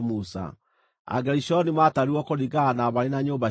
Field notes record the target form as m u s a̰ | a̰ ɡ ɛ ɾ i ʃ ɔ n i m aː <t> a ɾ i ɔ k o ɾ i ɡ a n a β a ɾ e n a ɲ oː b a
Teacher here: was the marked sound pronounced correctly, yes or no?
yes